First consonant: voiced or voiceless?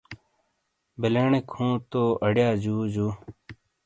voiced